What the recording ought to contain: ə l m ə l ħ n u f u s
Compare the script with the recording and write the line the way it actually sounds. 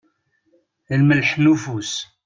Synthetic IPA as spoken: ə l m ə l ħ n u f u s